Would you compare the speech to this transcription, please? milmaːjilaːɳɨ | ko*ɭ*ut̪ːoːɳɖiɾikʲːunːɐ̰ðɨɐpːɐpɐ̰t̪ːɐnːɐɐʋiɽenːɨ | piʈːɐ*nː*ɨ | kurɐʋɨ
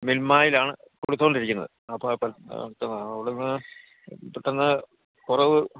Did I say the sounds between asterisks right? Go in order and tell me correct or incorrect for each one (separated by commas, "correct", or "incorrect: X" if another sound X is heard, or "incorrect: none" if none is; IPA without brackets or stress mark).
incorrect: ɽ, correct